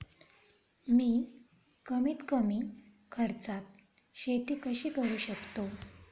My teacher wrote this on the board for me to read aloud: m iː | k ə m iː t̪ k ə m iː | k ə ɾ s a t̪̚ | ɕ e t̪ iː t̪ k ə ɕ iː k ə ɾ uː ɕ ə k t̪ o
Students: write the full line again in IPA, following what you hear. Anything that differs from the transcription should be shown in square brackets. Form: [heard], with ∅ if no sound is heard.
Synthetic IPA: m iː | k ə m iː t̪ k ə m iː | [kʰ] ə ɾ [t͡s] a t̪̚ | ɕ e t̪ iː [∅] k ə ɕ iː k ə ɾ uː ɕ ə k t̪ o